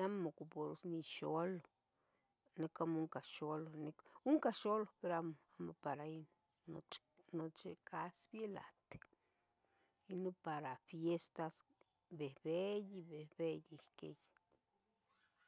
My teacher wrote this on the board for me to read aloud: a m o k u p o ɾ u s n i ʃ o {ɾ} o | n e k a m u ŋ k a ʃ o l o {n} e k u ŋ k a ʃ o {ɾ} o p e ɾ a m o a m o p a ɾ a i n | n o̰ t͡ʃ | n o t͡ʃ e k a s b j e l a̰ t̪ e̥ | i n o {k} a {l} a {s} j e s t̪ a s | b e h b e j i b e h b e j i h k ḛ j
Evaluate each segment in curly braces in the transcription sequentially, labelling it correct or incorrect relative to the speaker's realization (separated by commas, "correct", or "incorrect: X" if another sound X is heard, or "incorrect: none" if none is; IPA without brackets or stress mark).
incorrect: l, correct, incorrect: l, incorrect: p, incorrect: ɾ, incorrect: f